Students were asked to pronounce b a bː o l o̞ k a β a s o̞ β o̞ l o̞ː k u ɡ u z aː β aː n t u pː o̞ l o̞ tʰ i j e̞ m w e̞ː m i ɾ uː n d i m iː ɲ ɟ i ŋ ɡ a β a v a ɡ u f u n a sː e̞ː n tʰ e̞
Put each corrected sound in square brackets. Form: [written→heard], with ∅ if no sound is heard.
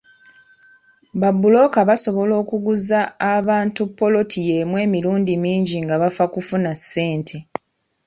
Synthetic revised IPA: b a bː [o→u] l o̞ k a β a s o̞ β o̞ l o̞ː k u ɡ u z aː β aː n t u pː o̞ l o̞ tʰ i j e̞ m w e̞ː m i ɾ uː n d i m iː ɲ ɟ i ŋ ɡ a β a [v→f] a [ɡ→k] u f u n a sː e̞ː n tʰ e̞